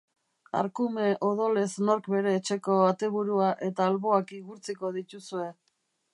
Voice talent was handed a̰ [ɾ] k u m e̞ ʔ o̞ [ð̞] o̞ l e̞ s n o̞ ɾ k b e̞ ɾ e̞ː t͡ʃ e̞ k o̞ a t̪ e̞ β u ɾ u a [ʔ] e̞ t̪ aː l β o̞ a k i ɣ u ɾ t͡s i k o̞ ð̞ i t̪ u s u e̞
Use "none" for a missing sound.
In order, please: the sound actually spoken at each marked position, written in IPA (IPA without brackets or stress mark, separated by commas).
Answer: ɾ, ð̞, ʔ